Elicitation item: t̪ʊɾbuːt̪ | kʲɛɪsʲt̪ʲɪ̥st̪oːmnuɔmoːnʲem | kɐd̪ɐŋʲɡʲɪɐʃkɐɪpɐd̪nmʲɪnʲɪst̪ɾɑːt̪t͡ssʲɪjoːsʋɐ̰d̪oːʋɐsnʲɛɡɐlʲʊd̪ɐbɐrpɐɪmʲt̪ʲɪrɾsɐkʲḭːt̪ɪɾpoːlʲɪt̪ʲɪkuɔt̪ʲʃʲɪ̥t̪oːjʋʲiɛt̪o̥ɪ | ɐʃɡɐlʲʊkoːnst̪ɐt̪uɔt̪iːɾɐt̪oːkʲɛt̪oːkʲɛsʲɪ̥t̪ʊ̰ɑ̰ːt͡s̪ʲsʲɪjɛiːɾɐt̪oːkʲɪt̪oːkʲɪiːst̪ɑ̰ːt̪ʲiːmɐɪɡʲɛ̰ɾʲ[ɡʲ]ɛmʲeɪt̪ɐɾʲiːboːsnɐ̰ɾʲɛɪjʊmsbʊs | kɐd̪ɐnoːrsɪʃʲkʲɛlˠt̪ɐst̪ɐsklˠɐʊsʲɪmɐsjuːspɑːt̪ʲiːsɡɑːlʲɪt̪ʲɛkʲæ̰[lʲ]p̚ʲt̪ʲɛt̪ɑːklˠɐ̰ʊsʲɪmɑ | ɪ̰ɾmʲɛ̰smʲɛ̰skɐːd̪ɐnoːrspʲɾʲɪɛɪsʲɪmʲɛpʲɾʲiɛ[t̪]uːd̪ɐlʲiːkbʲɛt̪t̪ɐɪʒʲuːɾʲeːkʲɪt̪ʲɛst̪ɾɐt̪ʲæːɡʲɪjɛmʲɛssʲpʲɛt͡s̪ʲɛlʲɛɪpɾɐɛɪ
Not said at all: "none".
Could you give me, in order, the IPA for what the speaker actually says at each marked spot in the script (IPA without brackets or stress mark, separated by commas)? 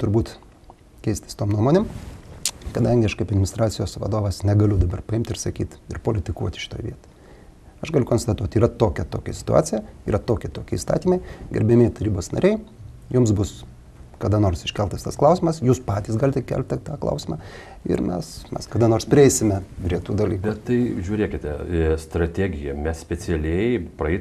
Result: bʲ, lʲ, t̪